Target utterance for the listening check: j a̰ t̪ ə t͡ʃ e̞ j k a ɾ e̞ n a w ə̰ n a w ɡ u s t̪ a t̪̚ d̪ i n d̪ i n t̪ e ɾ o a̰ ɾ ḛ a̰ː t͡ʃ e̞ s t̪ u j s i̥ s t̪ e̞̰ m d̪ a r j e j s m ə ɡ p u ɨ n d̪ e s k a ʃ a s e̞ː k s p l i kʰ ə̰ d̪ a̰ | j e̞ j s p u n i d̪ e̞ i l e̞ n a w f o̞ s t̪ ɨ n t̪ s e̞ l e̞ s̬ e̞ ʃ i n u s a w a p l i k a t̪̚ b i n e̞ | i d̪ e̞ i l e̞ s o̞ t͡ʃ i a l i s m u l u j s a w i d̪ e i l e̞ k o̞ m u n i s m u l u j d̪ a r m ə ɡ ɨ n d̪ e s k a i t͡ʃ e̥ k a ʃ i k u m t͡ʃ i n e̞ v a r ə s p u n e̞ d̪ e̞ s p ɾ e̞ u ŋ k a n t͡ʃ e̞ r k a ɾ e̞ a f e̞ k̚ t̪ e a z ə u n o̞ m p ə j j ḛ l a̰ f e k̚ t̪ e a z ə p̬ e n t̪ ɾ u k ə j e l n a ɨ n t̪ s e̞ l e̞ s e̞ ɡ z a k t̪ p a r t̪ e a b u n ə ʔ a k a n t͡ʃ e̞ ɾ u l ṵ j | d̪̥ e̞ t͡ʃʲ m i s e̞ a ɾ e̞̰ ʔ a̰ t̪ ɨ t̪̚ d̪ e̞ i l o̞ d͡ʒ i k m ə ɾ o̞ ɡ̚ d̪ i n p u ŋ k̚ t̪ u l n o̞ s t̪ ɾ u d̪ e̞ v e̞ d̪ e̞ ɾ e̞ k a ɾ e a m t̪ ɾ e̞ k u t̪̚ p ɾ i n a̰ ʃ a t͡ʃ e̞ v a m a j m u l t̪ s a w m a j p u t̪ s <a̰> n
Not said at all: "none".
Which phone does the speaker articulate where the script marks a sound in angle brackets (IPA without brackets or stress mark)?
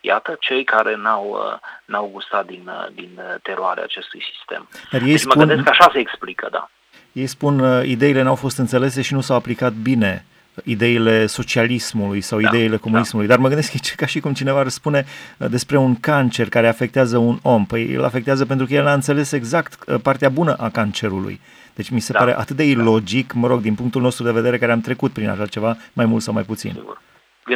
ḭ